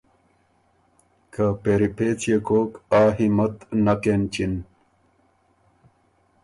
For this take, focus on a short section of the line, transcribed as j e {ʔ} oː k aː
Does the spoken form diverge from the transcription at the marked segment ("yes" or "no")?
yes